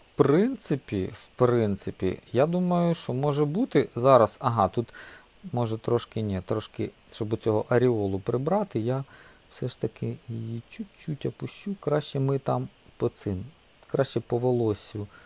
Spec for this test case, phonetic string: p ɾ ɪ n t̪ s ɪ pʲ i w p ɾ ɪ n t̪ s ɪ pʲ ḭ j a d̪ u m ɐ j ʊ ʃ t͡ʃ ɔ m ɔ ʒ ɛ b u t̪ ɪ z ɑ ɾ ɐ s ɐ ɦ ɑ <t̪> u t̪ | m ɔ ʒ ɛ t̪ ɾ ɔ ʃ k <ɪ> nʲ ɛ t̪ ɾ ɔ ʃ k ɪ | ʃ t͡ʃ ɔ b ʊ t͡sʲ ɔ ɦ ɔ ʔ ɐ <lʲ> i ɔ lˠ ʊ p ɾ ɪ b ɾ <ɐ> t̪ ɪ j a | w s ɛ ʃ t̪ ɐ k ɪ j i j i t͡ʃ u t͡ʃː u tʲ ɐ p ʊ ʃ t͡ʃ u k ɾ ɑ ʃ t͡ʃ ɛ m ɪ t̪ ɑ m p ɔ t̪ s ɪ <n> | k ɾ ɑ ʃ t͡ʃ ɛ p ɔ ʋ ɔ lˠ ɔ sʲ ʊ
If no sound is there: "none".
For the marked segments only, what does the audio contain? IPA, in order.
t̪, ɪ, ɾʲ, ɑ, m

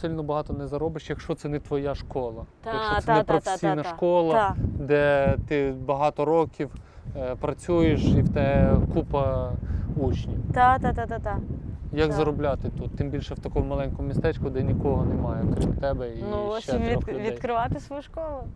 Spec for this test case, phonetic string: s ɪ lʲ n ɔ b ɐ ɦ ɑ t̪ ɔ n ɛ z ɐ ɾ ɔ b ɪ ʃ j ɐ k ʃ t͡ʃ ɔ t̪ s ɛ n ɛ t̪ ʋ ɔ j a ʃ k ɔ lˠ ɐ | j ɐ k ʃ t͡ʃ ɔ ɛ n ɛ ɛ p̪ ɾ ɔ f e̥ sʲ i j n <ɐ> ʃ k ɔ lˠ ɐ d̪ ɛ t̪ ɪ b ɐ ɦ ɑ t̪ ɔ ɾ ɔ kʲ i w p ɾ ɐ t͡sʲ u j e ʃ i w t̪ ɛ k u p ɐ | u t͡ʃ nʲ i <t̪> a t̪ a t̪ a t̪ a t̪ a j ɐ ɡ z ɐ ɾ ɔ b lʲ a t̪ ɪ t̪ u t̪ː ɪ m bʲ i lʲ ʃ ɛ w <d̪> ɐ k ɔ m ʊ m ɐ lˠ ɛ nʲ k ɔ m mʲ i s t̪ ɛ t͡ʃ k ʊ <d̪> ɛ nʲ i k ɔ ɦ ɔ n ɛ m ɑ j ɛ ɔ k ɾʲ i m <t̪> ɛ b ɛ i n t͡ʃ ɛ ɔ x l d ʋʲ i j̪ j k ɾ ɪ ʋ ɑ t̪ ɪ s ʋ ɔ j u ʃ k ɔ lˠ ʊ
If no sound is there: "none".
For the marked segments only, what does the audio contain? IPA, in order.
ɐ, t̪, t̪, d̪, t̪

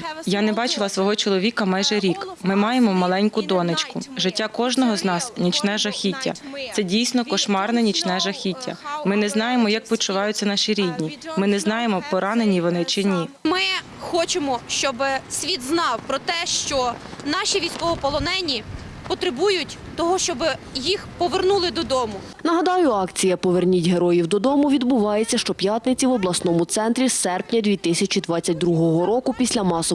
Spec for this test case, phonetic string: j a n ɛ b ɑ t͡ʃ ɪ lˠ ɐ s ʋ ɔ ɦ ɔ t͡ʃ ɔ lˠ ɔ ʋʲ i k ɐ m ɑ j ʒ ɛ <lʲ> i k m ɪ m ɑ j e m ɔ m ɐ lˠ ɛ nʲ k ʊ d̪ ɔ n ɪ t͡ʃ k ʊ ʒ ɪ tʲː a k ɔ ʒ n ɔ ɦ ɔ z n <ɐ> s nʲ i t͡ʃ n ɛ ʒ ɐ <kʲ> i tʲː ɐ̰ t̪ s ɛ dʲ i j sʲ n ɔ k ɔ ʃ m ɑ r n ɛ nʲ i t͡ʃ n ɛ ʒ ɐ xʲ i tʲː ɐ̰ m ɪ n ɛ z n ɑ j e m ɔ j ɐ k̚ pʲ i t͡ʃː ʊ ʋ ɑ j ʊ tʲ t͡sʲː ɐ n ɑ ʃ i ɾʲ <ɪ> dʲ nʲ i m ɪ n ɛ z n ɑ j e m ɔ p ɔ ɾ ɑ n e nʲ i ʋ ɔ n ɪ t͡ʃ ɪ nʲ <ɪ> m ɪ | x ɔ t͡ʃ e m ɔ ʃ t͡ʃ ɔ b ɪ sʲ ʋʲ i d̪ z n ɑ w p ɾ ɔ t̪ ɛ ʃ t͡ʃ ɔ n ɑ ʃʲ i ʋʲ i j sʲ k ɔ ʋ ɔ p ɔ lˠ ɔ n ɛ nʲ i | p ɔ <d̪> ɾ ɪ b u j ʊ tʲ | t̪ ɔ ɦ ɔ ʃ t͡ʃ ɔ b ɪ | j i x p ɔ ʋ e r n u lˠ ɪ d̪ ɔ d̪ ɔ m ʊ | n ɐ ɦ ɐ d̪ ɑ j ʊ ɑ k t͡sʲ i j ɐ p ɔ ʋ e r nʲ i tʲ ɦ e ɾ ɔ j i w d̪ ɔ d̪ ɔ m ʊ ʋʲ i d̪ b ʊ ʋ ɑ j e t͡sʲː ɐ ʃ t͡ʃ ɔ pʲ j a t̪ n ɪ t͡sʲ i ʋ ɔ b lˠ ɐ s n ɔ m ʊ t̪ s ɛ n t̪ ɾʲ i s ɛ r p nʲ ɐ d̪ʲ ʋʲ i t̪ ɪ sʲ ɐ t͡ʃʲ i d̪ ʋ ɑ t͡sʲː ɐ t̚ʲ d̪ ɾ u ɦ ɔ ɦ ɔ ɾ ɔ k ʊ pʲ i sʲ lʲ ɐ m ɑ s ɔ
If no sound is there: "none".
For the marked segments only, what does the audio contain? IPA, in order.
ɾʲ, ɑ, xʲ, i, i, t̪

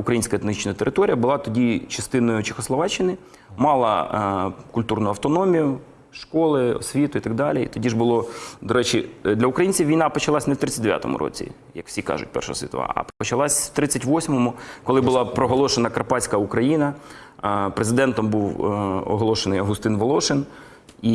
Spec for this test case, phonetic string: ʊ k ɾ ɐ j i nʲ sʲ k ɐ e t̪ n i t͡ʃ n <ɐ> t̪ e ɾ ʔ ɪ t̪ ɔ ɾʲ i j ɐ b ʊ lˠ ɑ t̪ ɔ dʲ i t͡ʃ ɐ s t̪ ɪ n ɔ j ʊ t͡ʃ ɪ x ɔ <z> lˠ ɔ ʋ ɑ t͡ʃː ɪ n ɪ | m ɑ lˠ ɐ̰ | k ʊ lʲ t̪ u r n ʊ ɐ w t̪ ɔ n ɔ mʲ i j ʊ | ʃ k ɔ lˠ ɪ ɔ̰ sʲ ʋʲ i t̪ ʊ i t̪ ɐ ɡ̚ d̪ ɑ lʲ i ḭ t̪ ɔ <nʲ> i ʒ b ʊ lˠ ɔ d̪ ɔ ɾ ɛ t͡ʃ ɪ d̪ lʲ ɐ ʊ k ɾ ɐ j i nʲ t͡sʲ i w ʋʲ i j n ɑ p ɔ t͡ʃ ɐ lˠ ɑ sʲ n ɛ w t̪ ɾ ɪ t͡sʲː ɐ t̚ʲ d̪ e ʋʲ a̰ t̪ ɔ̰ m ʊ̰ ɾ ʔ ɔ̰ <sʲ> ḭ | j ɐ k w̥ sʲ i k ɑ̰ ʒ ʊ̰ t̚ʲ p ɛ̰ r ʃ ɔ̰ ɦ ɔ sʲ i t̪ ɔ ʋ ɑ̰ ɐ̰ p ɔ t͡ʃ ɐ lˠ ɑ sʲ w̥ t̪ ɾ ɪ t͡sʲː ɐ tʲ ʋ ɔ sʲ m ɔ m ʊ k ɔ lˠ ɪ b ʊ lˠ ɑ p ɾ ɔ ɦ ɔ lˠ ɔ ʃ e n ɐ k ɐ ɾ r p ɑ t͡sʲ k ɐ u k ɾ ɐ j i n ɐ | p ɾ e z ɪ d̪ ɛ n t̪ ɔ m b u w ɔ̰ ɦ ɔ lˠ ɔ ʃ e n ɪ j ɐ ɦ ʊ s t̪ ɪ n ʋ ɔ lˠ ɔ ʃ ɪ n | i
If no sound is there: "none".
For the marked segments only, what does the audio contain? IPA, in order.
ɐ, s, dʲ, t͡sʲ

